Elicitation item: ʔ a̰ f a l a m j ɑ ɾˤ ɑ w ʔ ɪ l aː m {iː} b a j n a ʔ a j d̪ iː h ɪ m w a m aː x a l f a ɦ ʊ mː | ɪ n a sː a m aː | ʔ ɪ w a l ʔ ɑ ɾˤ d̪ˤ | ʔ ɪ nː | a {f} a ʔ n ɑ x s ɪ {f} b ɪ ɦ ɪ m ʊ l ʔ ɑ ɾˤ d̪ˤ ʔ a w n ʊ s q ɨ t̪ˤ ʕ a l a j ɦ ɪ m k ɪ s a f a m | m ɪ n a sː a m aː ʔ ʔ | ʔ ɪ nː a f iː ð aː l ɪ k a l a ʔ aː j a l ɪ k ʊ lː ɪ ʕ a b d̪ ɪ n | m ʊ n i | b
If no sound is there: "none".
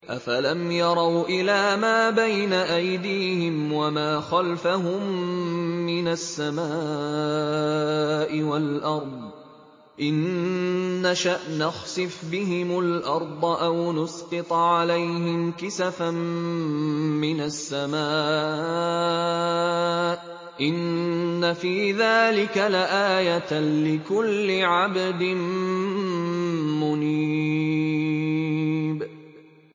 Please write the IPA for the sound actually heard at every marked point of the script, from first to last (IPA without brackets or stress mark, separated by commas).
aː, ʃ, f